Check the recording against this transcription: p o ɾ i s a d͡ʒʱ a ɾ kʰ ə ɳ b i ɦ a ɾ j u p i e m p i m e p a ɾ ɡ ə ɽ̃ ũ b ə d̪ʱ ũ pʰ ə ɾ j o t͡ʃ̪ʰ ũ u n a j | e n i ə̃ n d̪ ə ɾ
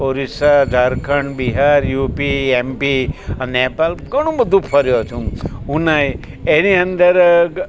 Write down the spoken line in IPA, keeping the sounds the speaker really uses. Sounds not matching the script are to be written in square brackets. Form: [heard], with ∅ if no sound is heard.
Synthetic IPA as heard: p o ɾ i s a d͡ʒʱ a ɾ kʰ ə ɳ b i ɦ a ɾ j u p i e m p i [n] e p a [l] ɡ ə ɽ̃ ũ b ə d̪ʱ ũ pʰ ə ɾ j o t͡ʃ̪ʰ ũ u n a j | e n i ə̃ n d̪ ə ɾ